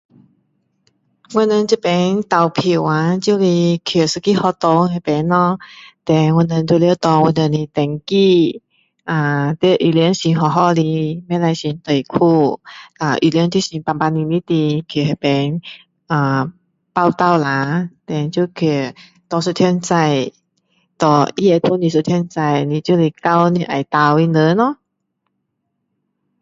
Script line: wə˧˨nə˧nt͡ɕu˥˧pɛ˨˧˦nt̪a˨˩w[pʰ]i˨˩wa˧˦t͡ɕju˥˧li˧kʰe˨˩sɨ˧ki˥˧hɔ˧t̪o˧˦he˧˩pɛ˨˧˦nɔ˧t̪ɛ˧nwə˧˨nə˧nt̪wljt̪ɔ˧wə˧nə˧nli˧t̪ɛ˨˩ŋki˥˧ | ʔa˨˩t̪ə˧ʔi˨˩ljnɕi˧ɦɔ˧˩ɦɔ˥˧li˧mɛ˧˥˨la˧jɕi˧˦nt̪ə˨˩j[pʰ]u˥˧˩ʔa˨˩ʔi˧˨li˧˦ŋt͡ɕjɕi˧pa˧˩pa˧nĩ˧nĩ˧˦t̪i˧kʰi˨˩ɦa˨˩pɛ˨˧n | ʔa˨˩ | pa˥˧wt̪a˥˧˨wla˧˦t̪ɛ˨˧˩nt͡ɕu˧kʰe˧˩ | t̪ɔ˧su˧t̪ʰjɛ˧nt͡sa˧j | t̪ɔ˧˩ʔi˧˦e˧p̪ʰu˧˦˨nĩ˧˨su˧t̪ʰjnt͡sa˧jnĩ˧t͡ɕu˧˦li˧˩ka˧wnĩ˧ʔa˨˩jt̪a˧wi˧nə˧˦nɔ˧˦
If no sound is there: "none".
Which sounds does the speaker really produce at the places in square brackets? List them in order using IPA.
pʰ, kʰ

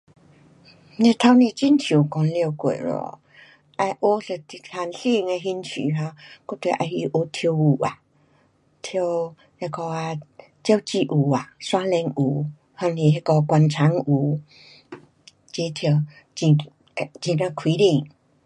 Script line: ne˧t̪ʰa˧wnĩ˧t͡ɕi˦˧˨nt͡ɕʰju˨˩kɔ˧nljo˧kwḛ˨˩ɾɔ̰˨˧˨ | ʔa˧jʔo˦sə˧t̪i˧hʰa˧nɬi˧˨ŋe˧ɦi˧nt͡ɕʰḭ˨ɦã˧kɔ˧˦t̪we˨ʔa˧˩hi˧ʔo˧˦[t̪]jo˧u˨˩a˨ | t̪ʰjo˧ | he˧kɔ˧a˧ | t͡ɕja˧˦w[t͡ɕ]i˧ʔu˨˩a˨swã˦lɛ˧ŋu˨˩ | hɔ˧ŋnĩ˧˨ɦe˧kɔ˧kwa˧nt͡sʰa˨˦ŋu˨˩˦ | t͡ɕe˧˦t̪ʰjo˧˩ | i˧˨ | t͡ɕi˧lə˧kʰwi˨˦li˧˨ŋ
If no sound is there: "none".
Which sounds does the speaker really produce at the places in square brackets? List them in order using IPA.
t̪ʰ, t͡ɕ

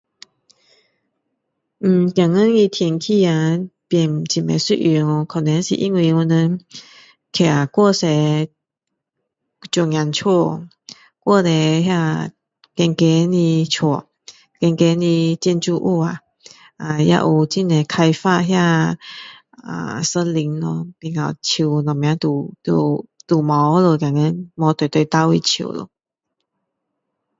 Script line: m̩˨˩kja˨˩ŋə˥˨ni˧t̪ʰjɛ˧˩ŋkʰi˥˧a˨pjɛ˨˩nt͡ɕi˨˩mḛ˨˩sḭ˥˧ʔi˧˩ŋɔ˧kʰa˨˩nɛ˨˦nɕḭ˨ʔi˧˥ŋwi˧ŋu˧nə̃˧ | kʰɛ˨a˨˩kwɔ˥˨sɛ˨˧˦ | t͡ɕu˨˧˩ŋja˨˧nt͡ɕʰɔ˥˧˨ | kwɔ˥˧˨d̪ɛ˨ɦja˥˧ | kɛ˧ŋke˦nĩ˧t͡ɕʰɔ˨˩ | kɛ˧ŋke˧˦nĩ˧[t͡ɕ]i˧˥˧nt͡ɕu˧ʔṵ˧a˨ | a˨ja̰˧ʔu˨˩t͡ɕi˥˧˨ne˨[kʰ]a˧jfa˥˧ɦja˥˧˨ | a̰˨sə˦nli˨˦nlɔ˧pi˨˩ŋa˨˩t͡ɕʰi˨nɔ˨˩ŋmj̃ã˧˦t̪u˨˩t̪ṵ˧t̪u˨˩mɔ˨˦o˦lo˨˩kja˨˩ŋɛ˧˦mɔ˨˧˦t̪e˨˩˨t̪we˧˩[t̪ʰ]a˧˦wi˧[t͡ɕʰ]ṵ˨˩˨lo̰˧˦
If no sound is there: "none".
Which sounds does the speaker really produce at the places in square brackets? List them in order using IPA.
t͡ɕ, kʰ, t̪, t͡ɕʰ

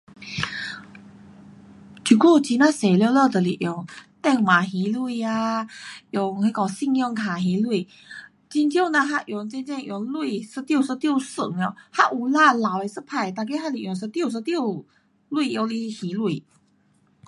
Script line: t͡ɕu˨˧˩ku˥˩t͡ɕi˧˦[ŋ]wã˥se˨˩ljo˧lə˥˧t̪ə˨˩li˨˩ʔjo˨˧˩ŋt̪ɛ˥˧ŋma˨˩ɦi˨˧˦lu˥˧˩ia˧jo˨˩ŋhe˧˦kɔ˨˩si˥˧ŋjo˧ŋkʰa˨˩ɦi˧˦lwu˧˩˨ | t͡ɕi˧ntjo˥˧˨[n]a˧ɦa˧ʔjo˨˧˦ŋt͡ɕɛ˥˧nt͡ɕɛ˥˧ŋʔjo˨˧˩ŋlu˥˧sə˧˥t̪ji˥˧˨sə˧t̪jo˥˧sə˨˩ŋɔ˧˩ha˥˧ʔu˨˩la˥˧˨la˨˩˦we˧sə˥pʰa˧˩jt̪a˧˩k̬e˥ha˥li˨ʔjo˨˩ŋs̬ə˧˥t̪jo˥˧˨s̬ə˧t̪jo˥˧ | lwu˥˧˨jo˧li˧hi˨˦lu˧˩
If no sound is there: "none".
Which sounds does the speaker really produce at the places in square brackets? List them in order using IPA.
n, n

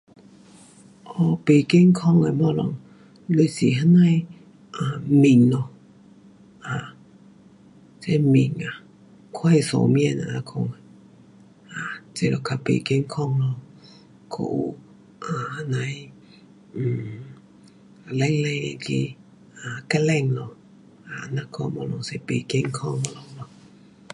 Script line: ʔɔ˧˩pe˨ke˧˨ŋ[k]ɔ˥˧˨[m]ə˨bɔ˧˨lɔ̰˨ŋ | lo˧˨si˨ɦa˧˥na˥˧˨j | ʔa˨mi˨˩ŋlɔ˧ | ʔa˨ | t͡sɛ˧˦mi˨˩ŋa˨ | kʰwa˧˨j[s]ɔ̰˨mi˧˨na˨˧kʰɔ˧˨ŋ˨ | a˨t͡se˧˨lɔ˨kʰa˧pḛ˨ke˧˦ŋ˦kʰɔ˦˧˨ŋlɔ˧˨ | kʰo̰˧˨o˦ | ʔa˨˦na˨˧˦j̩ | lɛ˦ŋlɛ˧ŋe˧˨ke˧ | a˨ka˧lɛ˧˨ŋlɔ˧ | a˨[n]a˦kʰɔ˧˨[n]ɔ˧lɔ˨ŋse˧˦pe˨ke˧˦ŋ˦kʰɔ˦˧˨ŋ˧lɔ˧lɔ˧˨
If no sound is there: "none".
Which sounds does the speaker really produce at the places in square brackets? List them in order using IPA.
kʰ, ŋ, s, n, m

